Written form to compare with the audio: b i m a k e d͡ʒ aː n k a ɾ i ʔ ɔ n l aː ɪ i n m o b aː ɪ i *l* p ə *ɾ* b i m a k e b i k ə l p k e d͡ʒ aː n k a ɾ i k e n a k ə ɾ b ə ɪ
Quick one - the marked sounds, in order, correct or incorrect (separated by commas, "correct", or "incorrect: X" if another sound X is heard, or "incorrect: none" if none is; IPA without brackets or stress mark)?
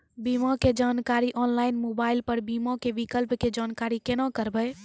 correct, correct